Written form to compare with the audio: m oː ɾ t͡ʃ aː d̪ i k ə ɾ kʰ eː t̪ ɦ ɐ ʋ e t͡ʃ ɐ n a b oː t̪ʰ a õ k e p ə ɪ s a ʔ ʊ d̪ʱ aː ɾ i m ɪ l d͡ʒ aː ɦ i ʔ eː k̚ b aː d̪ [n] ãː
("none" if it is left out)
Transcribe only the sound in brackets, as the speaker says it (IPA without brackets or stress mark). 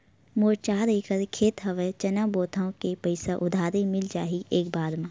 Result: m